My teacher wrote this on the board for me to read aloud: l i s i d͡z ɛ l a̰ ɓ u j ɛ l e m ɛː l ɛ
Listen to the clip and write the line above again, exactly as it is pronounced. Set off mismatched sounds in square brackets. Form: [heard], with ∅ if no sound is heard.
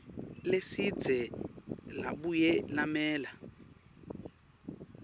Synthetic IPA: l [e] s i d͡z ɛ l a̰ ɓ u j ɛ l [a] m ɛː l [a]